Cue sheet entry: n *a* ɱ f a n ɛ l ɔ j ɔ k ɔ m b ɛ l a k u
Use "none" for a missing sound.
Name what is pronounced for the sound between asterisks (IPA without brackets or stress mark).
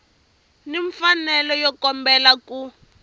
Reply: i